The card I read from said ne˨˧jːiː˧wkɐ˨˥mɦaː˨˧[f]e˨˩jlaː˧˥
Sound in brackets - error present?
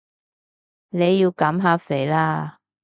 no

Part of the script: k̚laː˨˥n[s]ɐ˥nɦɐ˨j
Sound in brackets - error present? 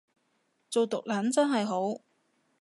yes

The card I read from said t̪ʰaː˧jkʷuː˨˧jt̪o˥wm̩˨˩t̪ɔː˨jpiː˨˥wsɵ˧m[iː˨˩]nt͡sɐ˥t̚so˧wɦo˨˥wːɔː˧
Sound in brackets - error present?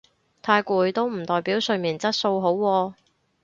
no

